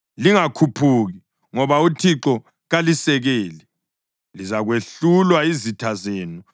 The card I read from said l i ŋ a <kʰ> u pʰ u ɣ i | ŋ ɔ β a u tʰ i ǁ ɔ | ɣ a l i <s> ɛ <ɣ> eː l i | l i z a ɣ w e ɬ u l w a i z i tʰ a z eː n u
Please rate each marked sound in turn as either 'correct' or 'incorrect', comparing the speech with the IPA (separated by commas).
correct, correct, correct